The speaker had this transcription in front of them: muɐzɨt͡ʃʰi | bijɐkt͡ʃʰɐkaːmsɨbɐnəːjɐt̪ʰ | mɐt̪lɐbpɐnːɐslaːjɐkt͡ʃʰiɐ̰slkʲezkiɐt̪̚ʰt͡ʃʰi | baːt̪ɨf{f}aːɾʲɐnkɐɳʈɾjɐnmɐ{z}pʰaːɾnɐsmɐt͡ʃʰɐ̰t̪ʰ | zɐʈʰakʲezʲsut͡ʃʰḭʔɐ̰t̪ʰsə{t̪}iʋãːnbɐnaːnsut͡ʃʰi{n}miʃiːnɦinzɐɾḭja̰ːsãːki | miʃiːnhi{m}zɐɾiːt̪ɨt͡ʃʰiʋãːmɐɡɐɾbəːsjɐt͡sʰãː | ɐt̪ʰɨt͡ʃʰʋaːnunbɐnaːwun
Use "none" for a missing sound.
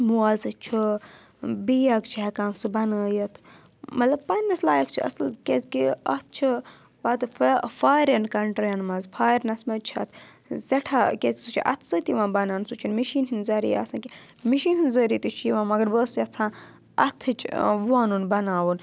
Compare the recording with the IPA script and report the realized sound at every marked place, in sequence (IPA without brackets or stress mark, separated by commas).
f, z, t̪, n, n